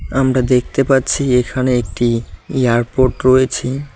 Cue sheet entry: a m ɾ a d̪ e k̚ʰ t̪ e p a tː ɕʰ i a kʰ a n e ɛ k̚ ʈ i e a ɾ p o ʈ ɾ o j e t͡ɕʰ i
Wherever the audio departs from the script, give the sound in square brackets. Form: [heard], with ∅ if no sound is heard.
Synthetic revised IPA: a m ɾ a d̪ e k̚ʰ t̪ e p a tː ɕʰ i [e] kʰ a n e [e] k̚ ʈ i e a ɾ p o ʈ ɾ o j e t͡ɕʰ i